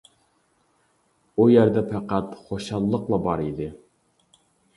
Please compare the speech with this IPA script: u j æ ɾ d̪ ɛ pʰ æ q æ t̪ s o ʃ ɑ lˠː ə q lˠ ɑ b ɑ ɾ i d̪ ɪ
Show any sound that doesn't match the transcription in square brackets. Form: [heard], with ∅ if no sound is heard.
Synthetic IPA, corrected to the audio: u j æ ɾ d̪ ɛ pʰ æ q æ t̪ [χ] o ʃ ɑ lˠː ə q lˠ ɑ b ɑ ɾ i d̪ ɪ

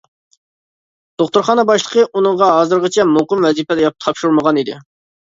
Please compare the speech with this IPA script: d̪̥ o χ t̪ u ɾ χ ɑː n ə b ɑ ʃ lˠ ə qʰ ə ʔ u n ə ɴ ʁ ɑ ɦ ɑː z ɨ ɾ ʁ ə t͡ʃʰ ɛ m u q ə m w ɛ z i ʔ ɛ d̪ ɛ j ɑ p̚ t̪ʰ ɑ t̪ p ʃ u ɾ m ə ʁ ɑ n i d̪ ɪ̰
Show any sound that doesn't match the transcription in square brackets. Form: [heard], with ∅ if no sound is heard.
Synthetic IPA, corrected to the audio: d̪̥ o χ t̪ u ɾ χ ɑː n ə b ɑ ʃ lˠ ə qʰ ə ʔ u n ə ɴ ʁ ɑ ɦ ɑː z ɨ ɾ ʁ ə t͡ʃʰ ɛ m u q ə m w ɛ z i [p] ɛ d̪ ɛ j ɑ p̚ t̪ʰ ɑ [∅] p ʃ u ɾ m ə ʁ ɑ n i d̪ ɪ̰

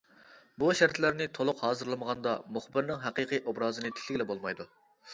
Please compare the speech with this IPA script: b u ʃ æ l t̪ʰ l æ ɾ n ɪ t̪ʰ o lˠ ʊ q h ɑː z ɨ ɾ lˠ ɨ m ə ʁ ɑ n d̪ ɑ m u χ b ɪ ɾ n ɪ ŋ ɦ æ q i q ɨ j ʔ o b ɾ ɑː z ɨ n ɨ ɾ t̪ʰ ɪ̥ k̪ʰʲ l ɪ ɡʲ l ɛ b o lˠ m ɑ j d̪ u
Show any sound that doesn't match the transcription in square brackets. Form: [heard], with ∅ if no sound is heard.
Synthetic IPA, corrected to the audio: b u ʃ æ [ɾ] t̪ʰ l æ ɾ n ɪ t̪ʰ o lˠ ʊ q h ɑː z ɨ ɾ lˠ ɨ m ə ʁ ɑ n d̪ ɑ m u χ b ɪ ɾ n ɪ ŋ ɦ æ q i q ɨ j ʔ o b ɾ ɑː z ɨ n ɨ [∅] t̪ʰ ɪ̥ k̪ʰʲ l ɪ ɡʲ l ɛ b o lˠ m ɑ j d̪ u

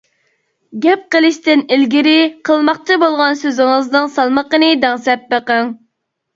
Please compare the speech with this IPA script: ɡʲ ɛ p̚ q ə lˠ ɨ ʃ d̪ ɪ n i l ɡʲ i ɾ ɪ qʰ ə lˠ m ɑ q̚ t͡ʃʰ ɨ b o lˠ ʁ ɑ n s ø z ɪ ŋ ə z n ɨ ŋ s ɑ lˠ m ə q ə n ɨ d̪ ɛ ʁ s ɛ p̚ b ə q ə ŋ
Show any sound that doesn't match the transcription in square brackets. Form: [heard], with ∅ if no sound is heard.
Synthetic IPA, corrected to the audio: ɡʲ ɛ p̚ q ə lˠ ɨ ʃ [t̪] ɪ n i l ɡʲ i ɾ ɪ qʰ ə lˠ m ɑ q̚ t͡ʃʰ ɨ b o lˠ ʁ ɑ n s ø z ɪ ŋ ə z n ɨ ŋ s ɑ lˠ m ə q ə n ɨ d̪ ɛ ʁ s ɛ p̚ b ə q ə ŋ

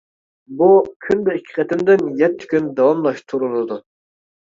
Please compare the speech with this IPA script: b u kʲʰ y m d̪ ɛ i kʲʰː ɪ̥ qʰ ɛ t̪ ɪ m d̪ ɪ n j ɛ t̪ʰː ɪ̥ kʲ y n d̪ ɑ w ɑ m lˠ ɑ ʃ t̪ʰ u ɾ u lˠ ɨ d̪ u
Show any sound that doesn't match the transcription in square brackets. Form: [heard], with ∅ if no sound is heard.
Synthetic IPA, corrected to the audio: b u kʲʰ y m d̪ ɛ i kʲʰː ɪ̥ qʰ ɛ t̪ ɪ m d̪ ɪ n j ɛ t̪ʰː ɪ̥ kʲ y n d̪ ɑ w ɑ m lˠ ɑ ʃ t̪ʰ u ɾ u lˠ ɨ d̪ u

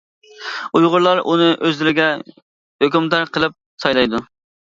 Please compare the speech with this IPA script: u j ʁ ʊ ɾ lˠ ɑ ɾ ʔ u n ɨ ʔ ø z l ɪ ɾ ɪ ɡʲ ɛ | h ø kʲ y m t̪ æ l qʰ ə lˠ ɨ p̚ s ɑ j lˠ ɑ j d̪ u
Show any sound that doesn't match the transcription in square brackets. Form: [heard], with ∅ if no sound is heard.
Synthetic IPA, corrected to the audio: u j ʁ ʊ ɾ lˠ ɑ ɾ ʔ u n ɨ ʔ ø z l ɪ ɾ ɪ ɡʲ ɛ | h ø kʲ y m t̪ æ [ɾ] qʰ ə lˠ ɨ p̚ s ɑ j lˠ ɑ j d̪ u

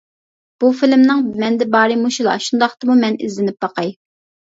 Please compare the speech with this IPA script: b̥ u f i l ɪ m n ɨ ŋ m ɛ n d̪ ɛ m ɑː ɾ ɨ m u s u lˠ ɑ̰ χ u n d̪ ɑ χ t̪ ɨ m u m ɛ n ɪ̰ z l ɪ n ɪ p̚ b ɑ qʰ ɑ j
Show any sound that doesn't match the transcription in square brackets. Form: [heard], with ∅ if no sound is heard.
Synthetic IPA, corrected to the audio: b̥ u f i l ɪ m n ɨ ŋ m ɛ n d̪ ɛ [b] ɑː ɾ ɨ m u [ʃ] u lˠ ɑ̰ [ʃ] u n d̪ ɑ χ t̪ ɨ m u m ɛ n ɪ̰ z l ɪ n ɪ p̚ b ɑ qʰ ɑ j

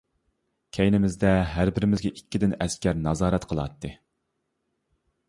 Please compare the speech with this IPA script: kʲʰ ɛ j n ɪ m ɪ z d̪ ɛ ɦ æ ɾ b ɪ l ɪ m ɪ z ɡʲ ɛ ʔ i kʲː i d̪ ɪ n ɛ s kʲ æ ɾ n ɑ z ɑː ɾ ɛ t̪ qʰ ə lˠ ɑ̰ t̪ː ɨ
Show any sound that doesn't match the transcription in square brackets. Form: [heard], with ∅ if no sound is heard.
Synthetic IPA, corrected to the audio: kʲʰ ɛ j n ɪ m ɪ z d̪ ɛ ɦ æ ɾ b ɪ [ɾ] ɪ m ɪ z ɡʲ ɛ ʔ i kʲː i d̪ ɪ n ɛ s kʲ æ ɾ n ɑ z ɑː ɾ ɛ t̪ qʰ ə lˠ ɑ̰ t̪ː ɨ

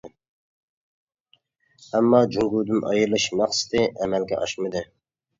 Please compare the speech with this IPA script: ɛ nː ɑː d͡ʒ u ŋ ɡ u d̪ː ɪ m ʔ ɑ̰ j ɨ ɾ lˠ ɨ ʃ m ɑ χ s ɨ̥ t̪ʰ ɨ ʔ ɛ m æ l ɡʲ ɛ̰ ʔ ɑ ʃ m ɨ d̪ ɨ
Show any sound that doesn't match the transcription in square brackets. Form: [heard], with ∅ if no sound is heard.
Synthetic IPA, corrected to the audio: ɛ [mː] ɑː d͡ʒ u ŋ ɡ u [d̪] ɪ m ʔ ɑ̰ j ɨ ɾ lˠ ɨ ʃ m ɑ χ s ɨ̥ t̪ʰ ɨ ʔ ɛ m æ l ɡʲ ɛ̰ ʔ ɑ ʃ m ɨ d̪ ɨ

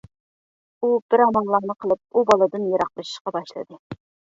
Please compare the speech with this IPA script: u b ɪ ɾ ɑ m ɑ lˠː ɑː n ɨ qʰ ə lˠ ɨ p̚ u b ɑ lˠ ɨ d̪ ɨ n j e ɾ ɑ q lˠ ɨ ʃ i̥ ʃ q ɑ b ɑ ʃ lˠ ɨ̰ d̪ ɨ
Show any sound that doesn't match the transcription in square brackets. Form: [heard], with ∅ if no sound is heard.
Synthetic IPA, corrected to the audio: u b ɪ ɾ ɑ m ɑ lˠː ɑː n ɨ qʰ ə lˠ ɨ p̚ u b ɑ lˠ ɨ d̪ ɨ n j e ɾ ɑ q lˠ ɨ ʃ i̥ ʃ q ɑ b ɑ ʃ lˠ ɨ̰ d̪ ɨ

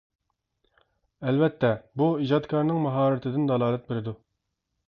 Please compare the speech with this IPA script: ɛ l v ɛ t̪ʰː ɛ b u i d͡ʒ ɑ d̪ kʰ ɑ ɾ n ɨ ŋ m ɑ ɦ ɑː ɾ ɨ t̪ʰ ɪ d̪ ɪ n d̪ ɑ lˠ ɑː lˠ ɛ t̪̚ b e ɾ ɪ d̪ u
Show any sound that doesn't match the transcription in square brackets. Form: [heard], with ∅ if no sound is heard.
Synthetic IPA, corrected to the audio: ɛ l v ɛ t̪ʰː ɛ b u i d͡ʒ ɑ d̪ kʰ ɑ ɾ n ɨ ŋ m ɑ ɦ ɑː ɾ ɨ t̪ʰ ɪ d̪ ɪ n d̪ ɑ lˠ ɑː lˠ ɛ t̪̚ b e ɾ ɪ d̪ u

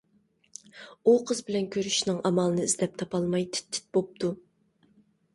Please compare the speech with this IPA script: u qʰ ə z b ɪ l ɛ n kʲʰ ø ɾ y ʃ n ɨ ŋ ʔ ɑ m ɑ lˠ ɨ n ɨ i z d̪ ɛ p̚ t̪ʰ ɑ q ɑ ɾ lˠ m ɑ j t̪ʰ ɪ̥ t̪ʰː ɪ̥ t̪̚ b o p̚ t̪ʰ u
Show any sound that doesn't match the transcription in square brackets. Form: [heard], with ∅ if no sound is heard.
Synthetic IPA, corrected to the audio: u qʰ ə z b ɪ l ɛ n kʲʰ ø ɾ y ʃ n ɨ ŋ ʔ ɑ m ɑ lˠ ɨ n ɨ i z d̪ ɛ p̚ t̪ʰ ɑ [p] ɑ [∅] lˠ m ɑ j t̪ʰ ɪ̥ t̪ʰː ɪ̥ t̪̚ b o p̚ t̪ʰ u

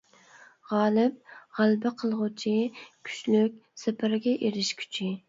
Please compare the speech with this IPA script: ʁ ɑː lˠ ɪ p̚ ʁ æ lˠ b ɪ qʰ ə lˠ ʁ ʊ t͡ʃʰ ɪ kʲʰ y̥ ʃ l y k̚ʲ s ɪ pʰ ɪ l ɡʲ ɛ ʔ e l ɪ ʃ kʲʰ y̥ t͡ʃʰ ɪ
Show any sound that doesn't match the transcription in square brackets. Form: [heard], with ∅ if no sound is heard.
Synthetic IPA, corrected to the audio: ʁ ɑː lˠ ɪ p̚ ʁ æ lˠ b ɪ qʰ ə lˠ ʁ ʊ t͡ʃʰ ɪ kʲʰ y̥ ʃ l y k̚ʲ s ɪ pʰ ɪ [ɾ] ɡʲ ɛ ʔ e [ɾ] ɪ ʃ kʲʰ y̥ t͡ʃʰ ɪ

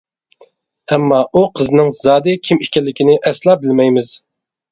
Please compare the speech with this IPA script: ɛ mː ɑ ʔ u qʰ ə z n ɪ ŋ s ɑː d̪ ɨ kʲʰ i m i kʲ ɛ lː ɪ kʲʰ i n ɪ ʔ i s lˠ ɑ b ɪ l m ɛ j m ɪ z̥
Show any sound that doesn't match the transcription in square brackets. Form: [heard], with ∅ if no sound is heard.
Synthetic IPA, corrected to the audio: ɛ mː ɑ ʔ u qʰ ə z n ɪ ŋ [z] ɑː d̪ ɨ kʲʰ i m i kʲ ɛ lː ɪ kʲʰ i n ɪ ʔ [ɛ] s lˠ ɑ b ɪ l m ɛ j m ɪ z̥

